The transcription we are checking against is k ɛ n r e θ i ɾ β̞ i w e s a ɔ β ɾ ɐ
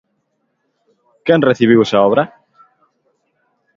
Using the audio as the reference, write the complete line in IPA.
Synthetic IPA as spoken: k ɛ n r e θ i β̞ i w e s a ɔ β ɾ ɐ